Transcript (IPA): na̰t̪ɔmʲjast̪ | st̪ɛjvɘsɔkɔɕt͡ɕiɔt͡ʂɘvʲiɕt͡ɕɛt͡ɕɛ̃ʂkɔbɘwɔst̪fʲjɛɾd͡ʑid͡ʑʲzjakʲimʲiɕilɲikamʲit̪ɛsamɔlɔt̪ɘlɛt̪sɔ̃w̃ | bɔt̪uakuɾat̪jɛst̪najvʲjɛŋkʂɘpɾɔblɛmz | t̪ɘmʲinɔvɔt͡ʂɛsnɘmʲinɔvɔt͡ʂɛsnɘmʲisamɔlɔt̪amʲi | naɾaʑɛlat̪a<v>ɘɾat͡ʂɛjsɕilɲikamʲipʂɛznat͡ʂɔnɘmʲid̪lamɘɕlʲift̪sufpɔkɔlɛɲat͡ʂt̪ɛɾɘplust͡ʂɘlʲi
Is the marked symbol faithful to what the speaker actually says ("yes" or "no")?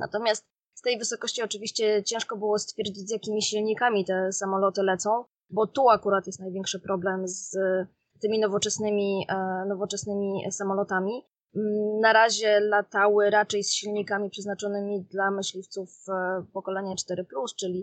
no